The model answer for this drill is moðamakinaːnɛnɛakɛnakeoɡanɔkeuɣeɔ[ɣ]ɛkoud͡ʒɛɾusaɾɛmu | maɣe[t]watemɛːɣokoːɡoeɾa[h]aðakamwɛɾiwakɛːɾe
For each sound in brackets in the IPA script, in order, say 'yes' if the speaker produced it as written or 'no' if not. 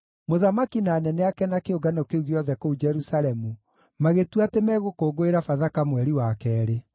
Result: no, yes, no

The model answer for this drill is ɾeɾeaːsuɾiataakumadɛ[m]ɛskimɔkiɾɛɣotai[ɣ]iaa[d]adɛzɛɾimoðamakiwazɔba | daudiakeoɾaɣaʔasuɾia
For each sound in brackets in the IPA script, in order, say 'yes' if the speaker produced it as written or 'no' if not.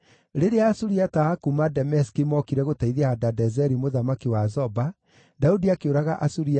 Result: yes, no, yes

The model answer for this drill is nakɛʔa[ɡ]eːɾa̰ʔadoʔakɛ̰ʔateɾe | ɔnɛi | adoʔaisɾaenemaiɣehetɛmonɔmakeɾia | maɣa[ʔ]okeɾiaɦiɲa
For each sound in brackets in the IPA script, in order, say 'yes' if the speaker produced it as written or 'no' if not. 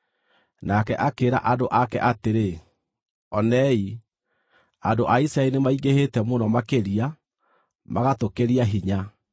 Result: no, no

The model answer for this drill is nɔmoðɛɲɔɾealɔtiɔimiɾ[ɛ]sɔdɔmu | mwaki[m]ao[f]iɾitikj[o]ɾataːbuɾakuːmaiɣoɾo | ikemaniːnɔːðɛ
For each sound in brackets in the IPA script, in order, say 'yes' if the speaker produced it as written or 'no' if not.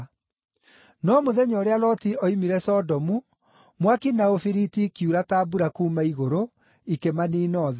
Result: yes, no, yes, no

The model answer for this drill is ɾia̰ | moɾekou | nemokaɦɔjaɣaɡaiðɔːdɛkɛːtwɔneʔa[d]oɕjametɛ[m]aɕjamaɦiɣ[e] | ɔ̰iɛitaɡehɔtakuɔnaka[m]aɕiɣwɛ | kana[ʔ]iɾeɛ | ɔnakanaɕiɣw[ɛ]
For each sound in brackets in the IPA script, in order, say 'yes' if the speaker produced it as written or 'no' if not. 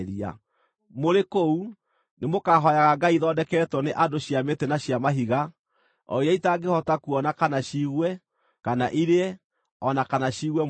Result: yes, no, no, no, yes, yes

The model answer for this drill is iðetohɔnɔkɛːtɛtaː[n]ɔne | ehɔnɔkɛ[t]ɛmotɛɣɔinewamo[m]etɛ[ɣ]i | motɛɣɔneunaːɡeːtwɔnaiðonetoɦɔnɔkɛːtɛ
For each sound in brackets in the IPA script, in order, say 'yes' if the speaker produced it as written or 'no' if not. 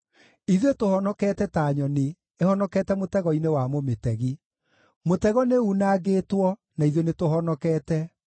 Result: no, yes, yes, yes

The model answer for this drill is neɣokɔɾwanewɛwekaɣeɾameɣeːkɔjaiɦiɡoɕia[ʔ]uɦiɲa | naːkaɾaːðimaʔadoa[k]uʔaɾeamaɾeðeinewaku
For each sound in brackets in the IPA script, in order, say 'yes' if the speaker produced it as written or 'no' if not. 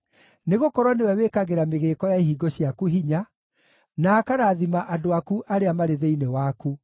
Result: no, yes

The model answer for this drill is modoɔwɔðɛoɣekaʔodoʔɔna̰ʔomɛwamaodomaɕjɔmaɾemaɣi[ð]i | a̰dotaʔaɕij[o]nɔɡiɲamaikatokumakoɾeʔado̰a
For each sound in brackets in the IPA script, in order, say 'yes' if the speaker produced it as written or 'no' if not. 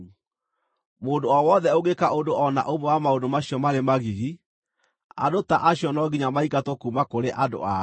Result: no, no

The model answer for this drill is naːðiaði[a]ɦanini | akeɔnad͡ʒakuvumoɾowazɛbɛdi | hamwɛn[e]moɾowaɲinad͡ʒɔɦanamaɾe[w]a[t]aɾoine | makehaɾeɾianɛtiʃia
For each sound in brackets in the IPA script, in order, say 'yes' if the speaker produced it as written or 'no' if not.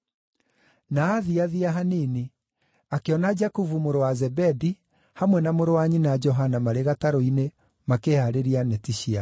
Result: yes, no, no, yes

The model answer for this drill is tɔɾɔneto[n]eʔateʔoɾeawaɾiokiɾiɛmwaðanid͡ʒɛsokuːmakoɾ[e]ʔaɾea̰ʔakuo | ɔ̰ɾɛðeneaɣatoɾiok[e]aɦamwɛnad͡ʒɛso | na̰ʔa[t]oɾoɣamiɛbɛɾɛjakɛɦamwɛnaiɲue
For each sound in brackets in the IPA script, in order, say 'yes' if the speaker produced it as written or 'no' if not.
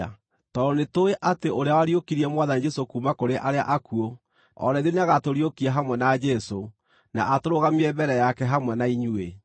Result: no, yes, no, yes

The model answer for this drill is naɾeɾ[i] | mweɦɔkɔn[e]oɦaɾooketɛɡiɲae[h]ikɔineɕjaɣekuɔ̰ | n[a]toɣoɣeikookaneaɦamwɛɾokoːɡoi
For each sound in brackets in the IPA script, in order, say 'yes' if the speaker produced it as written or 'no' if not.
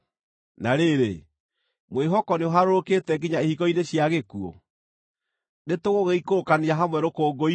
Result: no, yes, yes, no

